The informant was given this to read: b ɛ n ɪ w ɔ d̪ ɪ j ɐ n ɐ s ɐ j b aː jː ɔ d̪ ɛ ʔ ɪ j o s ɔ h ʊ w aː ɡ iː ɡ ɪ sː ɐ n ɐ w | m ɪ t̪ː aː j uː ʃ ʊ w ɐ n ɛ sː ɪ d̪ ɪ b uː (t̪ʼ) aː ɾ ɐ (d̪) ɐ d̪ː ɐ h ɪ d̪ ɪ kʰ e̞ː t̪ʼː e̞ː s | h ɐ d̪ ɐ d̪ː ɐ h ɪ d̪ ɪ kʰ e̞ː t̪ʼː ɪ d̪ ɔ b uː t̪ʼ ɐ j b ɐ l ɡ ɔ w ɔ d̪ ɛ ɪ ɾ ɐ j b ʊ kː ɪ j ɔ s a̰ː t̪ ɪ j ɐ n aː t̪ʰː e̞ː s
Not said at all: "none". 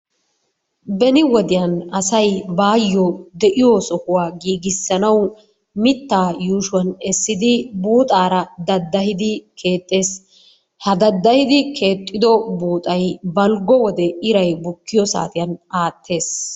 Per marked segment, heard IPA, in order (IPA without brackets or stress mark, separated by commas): t̪ʼ, d̪